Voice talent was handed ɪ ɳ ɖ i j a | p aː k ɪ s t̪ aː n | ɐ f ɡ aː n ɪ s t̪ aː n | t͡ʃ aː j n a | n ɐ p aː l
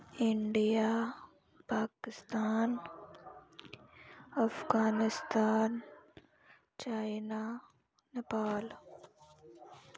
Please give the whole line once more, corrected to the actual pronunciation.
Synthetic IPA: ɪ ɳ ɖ i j a | p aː k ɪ s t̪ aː n | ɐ f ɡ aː n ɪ s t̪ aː n | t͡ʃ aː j n a | n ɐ p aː l